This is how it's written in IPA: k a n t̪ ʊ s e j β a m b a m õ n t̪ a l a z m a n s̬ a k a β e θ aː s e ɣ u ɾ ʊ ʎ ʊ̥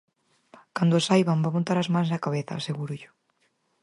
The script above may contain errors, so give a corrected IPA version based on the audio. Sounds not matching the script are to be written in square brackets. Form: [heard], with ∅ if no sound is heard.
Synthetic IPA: k a n [d̪] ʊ s [a] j β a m b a m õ n t̪ a [ɾ] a z m a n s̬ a k a β e θ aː s e ɣ u ɾ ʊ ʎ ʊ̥